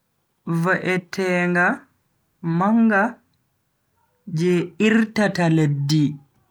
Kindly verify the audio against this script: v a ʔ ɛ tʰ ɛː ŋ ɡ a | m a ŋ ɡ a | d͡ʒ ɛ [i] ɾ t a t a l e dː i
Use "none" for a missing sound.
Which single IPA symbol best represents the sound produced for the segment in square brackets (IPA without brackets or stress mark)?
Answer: i